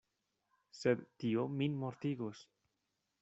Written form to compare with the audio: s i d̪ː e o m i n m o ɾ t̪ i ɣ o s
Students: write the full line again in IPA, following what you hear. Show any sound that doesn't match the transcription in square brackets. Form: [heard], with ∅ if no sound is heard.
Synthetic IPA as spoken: s [e] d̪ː [i] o m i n m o ɾ t̪ i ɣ o s